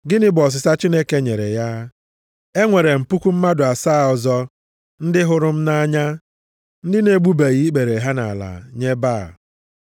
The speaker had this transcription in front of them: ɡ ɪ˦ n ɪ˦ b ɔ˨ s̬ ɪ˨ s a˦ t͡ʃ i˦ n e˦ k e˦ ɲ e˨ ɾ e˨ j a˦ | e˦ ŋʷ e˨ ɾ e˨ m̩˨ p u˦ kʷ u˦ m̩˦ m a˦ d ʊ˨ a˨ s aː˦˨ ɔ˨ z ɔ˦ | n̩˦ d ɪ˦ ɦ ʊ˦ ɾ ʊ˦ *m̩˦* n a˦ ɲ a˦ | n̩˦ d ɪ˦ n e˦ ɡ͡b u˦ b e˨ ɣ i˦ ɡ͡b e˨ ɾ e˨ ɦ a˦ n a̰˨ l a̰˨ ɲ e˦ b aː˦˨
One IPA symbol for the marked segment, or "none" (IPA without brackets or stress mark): m̩˦